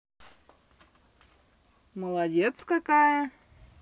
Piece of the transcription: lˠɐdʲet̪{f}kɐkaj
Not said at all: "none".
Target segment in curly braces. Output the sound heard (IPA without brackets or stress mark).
s